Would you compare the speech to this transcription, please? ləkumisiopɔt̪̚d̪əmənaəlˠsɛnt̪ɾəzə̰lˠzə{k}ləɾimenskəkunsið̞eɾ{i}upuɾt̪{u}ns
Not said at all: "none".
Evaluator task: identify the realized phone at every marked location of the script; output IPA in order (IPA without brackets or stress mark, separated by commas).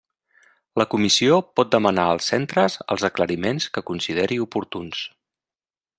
k, i, u